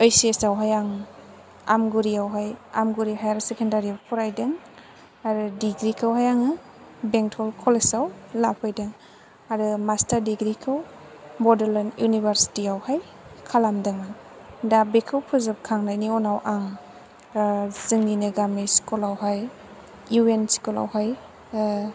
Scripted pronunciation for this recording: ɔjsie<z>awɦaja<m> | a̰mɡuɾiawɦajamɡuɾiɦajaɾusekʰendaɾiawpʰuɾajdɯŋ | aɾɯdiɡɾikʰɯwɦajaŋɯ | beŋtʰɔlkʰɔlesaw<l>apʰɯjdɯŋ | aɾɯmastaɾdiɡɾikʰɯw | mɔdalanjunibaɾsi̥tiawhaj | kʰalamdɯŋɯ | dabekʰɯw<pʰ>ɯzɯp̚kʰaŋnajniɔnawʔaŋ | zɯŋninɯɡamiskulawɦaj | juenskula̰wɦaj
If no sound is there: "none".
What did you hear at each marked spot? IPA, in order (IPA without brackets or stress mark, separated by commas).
s, ŋ, l, pʰ